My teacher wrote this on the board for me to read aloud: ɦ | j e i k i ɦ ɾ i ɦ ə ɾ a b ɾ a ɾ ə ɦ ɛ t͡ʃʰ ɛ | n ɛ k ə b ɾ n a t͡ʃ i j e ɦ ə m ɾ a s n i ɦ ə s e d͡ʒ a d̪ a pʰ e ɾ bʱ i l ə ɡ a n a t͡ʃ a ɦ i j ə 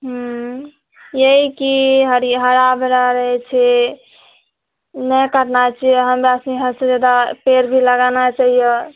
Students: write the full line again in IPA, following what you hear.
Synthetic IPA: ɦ | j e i k i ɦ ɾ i ɦ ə ɾ a b ɾ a ɾ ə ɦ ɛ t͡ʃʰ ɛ | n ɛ k ə ɾ n a t͡ʃ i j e ɦ ə m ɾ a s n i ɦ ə s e d͡ʒ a d̪ a p e ɾ bʱ i l ə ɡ a n a t͡ʃ a ɦ i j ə